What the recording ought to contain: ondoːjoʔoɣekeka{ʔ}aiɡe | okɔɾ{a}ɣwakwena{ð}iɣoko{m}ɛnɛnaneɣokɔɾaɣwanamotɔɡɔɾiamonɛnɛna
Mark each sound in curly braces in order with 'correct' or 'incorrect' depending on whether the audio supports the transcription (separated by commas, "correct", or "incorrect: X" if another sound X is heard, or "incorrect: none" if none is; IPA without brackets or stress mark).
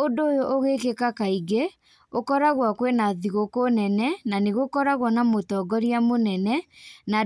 incorrect: k, correct, correct, incorrect: n